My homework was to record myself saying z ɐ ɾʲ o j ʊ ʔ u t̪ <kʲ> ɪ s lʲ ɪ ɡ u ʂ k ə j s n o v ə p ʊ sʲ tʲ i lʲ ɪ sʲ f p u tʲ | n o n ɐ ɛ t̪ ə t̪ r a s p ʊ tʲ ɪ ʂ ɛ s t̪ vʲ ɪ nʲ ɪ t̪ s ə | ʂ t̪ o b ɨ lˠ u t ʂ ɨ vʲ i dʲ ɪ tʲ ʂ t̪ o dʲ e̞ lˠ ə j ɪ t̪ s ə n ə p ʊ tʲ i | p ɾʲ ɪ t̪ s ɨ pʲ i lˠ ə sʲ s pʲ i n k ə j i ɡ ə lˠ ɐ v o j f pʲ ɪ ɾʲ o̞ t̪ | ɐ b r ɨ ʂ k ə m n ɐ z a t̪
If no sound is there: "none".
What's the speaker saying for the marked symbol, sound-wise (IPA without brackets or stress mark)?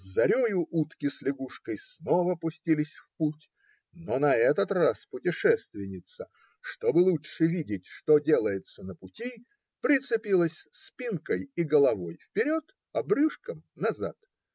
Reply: kʲ